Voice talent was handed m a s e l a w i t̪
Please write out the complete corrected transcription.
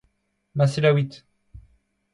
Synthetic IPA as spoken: m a s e l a w i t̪